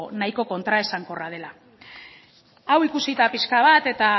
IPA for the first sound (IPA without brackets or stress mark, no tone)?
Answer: n